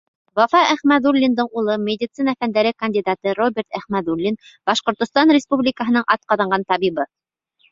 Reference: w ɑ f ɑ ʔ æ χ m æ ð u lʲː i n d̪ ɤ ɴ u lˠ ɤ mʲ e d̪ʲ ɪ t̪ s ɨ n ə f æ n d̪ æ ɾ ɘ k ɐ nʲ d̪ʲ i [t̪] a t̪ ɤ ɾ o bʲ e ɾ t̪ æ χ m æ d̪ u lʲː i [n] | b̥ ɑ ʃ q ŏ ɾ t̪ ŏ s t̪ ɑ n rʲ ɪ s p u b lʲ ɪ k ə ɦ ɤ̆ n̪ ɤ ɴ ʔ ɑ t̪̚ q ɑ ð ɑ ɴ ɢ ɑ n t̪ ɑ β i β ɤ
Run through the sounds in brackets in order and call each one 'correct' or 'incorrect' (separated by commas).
incorrect, correct